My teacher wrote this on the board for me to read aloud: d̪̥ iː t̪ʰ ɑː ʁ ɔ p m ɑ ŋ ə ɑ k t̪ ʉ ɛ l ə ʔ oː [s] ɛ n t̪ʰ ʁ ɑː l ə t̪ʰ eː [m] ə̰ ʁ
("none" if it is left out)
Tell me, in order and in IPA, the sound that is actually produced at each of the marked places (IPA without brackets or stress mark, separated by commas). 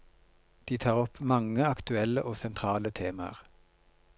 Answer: s, m